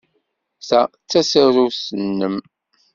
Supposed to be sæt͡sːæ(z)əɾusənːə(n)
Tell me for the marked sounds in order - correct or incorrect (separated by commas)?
incorrect, incorrect